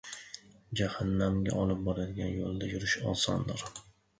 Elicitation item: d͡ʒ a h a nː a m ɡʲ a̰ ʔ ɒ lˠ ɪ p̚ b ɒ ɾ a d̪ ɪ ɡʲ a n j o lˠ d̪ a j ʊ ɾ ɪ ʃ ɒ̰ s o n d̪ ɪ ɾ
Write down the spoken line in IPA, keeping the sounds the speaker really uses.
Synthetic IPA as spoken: d͡ʒ a h a nː a m ɡʲ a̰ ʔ ɒ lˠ ɪ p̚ b ɒ ɾ a d̪ ɪ ɡʲ a n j o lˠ d̪ a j ʊ ɾ ɪ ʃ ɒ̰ s ɒ n d̪ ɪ ɾ